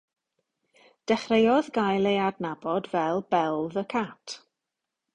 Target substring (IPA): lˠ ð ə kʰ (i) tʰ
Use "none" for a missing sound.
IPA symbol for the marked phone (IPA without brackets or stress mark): a